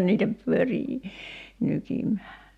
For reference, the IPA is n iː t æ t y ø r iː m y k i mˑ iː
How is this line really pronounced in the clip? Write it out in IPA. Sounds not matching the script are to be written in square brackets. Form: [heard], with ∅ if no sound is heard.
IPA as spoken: n iː t æ [p] y ø r iː [n] y k i mˑ [æː]